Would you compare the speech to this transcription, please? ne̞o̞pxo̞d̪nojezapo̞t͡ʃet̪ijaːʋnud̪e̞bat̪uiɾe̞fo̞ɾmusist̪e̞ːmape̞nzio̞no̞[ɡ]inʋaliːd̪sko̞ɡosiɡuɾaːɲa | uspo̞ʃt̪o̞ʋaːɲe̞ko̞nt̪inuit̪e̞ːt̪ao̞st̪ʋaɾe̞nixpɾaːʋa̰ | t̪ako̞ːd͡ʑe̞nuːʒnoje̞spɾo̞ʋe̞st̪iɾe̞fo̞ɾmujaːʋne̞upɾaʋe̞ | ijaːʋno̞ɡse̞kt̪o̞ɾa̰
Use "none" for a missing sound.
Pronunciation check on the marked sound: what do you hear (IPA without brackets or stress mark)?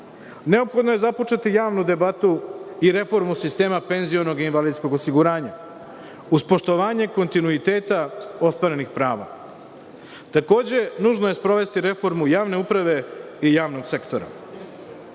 ɡ